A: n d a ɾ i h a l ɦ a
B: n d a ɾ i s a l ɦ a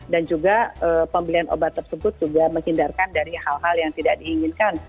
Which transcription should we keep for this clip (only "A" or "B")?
A